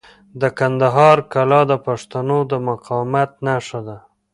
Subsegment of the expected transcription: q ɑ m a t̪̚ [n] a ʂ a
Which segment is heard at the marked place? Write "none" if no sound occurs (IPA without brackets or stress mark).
n